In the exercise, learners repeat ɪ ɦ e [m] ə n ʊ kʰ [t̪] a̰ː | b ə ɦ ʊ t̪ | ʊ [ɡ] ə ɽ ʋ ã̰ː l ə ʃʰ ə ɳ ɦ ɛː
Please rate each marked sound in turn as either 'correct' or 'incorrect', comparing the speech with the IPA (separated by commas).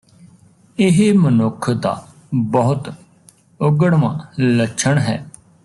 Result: correct, incorrect, correct